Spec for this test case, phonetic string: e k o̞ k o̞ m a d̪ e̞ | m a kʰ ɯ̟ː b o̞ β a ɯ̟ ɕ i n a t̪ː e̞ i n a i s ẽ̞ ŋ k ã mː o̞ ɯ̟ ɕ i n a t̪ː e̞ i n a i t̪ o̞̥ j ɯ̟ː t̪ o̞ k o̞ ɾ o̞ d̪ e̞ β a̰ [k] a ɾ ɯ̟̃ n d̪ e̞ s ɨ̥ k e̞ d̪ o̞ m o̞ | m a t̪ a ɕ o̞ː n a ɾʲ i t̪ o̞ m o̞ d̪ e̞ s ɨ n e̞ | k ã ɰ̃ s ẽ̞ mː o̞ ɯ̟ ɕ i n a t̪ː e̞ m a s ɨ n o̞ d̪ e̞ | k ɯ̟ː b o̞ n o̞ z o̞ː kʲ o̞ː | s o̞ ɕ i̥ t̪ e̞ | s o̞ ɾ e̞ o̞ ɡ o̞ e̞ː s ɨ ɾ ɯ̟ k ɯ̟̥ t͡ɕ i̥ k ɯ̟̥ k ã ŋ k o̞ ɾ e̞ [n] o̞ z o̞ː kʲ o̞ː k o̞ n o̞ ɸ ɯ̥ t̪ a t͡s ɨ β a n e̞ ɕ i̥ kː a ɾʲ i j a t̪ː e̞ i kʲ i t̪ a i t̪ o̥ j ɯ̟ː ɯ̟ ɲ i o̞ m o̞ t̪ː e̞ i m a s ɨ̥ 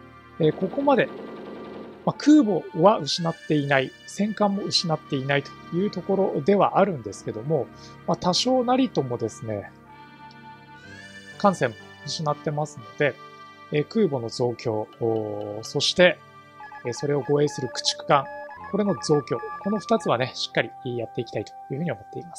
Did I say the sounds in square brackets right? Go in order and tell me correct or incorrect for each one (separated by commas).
incorrect, correct